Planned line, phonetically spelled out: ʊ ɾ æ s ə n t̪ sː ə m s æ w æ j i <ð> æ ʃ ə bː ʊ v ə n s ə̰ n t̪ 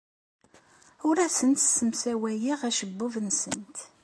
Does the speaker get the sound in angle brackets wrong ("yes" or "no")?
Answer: yes